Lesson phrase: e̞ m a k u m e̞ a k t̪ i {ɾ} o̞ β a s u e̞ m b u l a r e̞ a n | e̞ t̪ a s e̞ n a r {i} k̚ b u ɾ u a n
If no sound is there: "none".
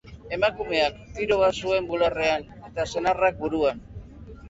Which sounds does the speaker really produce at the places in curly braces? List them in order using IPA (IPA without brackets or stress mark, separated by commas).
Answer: ɾ, a